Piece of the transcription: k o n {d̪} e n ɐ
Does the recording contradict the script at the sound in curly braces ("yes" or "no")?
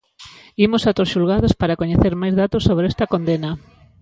no